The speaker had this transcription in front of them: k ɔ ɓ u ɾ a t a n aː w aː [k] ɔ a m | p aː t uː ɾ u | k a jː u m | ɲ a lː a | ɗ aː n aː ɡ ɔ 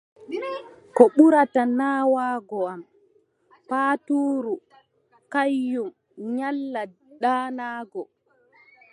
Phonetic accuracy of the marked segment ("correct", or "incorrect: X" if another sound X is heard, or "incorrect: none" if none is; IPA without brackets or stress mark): incorrect: ɡ